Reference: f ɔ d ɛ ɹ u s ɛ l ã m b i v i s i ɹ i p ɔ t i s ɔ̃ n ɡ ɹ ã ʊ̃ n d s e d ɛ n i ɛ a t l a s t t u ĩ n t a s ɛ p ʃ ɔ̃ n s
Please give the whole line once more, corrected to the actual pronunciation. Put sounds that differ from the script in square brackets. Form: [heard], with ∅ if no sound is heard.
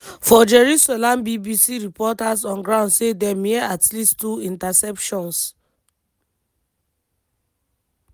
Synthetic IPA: f ɔ [d͡ʒ] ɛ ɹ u s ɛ l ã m b i [b] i s i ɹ i p ɔ t [a] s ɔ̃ n ɡ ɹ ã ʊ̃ n d s e d ɛ [m] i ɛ a t l [i] s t t u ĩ n t a s ɛ p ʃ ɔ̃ n s